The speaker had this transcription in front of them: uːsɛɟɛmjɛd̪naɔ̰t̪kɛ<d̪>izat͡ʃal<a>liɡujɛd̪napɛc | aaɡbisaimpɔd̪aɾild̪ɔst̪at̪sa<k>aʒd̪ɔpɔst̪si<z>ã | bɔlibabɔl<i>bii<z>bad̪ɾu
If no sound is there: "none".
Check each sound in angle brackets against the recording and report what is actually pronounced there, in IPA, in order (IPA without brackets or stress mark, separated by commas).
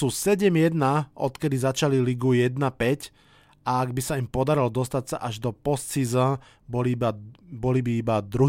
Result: d̪, i, ʔ, z, i, none